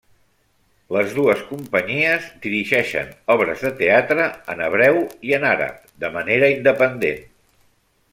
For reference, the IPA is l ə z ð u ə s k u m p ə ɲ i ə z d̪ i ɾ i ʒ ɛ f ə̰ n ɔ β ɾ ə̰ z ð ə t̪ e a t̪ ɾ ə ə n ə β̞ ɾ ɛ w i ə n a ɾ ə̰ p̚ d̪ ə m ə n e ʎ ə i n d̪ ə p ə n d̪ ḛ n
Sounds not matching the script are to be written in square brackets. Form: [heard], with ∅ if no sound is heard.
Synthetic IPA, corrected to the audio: l ə z ð u ə s k u m p ə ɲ i ə z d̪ i ɾ i ʒ ɛ [ʃ] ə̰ n ɔ β ɾ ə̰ z ð ə t̪ e a t̪ ɾ ə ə n ə β̞ ɾ ɛ w i ə n a ɾ ə̰ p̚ d̪ ə m ə n e [ɾ] ə i n d̪ ə p ə n d̪ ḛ n